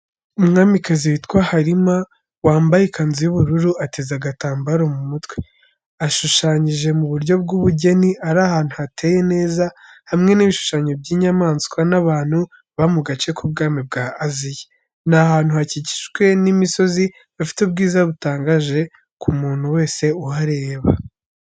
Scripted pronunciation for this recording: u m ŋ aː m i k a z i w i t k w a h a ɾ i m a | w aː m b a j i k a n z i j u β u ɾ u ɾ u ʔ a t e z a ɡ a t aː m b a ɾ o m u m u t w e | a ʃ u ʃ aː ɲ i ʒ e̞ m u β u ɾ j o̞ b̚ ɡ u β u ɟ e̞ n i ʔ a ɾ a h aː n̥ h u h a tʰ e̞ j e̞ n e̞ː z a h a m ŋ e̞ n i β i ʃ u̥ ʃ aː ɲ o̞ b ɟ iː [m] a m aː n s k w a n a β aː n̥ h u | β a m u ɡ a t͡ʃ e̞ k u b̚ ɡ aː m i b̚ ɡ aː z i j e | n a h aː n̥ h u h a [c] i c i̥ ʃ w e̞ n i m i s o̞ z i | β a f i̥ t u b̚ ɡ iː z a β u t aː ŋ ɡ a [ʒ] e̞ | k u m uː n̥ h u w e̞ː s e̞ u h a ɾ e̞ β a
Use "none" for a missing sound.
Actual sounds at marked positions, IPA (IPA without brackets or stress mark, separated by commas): ɲ, c, ʒ